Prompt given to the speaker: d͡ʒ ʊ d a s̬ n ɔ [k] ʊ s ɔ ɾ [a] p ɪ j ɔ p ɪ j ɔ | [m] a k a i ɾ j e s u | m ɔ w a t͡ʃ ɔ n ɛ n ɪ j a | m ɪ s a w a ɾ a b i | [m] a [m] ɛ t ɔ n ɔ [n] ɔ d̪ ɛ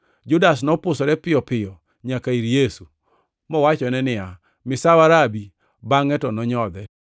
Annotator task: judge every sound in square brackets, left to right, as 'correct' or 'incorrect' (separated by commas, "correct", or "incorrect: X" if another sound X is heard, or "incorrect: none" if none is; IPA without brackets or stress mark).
incorrect: p, incorrect: ɛ, incorrect: ɲ, incorrect: b, incorrect: ŋ, incorrect: ɲ